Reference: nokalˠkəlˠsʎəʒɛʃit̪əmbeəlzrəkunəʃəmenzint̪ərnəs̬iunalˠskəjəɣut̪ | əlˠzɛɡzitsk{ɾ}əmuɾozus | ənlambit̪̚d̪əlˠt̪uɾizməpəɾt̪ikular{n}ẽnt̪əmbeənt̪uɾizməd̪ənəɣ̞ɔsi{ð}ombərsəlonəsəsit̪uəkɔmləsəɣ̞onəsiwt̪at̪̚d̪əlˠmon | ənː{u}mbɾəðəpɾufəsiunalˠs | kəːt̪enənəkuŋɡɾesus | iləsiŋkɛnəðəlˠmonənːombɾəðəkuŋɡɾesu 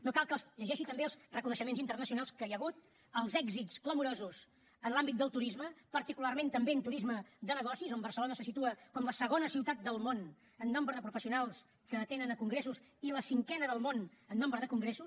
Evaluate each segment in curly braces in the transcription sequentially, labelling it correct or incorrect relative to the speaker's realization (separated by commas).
incorrect, incorrect, incorrect, incorrect